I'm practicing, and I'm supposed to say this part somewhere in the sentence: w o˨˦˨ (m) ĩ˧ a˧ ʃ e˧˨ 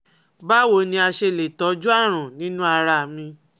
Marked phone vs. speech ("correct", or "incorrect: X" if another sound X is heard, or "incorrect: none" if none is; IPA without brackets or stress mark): incorrect: n